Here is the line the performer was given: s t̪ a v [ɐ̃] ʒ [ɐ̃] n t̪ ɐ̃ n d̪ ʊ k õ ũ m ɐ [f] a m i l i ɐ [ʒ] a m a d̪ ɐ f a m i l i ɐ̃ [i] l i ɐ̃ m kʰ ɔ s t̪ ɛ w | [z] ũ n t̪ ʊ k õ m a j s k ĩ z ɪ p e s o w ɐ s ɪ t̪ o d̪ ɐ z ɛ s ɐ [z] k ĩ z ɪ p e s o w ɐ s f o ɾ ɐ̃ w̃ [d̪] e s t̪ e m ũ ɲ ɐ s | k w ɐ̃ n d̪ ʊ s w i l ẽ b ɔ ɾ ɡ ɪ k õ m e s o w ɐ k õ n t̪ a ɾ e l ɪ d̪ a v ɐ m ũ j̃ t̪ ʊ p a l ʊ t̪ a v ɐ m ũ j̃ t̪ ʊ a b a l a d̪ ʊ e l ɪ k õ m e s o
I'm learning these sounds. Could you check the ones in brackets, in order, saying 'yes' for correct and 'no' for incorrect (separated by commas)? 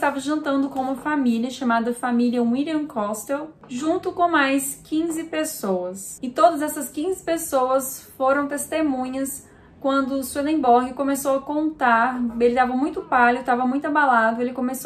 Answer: no, yes, yes, no, yes, no, no, no